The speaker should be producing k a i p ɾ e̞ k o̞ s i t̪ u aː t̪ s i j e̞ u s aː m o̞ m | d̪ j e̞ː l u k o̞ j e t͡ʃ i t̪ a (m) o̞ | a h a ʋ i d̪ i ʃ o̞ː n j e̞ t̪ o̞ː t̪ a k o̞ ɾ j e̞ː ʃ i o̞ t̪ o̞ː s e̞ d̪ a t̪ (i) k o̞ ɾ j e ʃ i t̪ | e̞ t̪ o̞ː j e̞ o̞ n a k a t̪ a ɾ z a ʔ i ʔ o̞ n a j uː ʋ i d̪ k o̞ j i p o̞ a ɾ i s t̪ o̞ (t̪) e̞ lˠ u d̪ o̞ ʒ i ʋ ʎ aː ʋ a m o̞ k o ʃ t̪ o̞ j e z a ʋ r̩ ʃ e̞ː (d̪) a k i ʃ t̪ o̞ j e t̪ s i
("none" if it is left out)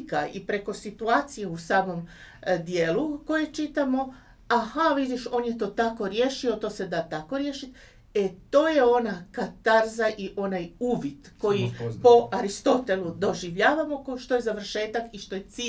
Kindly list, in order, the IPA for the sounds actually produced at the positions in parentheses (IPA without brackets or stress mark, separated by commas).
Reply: m, a, t̪, t̪